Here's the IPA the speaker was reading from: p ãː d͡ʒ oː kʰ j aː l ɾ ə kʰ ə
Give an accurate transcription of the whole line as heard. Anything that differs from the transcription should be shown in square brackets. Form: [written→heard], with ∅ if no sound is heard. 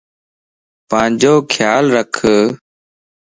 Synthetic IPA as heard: p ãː d͡ʒ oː kʰ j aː l ɾ ə kʰ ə